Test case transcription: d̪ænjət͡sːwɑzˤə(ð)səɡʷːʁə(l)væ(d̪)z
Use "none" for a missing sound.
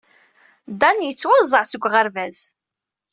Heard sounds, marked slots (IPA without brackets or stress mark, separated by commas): ʕ, ɾ, none